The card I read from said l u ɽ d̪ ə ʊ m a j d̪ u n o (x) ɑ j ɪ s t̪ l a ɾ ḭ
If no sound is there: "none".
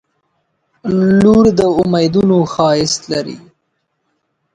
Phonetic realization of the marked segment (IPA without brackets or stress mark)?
x